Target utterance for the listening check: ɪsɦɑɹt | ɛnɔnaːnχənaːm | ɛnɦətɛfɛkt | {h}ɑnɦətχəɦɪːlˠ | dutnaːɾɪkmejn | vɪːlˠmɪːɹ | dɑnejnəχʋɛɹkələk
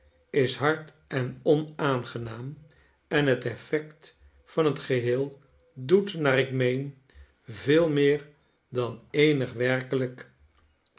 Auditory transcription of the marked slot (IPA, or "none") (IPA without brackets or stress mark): f